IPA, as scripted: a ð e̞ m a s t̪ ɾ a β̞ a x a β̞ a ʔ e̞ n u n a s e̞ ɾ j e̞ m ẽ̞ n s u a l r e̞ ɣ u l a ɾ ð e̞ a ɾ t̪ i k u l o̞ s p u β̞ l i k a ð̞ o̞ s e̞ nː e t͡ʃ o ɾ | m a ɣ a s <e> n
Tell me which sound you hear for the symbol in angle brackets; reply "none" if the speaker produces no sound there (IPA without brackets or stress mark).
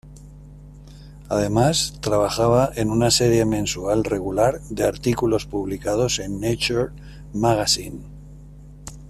i